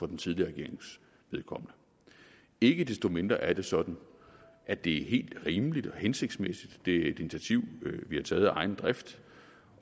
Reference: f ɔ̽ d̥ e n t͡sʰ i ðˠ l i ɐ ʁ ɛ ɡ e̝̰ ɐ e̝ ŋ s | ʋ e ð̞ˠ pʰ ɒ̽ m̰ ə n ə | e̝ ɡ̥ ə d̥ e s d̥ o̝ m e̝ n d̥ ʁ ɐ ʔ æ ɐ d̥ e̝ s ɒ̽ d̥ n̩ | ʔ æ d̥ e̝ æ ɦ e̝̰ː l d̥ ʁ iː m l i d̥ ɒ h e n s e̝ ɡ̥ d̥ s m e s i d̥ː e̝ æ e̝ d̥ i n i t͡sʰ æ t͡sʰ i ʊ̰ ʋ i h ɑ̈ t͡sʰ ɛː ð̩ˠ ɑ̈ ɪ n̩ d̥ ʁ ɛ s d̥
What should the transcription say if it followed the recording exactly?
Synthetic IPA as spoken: f ɒ̽ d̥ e n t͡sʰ i ðˠ l i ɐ ʁ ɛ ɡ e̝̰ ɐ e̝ ŋ s | ʋ e ð̞ˠ kʰ ɒ̽ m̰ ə n ə | e̝ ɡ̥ ə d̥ e s d̥ o̝ m e̝ n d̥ ʁ ɐ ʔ æ ɐ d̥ e̝ s ɒ̽ d̥ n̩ | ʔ æ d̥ e̝ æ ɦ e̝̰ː l d̥ ʁ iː m l i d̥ ɒ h e n s e̝ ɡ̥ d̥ s m e s i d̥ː e̝ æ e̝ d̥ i n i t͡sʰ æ t͡sʰ i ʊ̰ ʋ i h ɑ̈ t͡sʰ ɛː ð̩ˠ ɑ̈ ɪ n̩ d̥ ʁ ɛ f d̥